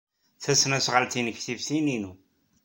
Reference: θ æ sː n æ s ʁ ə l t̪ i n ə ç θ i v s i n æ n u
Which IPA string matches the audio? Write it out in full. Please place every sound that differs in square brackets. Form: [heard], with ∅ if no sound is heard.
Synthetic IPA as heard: θ æ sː n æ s ʁ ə l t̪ i n ə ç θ i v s i n [i] n u